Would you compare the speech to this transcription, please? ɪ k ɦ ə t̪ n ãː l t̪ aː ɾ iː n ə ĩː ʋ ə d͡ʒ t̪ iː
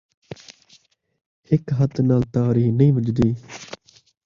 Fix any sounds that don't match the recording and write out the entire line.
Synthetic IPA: ɪ k ɦ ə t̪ n aː l t̪ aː ɾ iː n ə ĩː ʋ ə d͡ʒ d̪ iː